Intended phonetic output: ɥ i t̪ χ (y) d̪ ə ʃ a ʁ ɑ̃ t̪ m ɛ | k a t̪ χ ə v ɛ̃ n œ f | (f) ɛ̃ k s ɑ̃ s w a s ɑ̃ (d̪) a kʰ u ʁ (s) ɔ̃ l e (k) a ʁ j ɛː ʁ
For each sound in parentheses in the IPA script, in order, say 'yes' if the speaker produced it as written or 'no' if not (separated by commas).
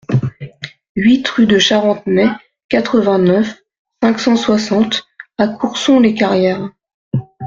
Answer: yes, no, no, yes, yes